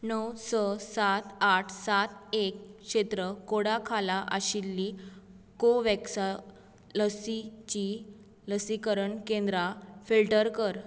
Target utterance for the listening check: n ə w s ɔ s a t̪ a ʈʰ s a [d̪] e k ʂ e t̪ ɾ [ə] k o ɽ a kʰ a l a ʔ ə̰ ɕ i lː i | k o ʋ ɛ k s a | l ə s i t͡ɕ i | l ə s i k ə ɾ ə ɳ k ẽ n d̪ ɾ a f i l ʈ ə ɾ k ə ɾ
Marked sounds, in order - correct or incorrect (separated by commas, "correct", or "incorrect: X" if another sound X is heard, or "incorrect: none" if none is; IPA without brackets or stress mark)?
incorrect: t̪, correct